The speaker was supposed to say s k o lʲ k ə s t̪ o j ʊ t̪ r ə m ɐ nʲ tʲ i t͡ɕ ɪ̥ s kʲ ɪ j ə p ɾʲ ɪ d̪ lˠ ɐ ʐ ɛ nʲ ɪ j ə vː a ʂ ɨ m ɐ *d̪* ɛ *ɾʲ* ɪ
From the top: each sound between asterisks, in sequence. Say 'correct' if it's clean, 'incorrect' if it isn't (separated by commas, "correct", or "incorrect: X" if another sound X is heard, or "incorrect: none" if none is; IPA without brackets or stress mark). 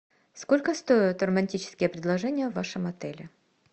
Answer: incorrect: t̪, incorrect: lʲ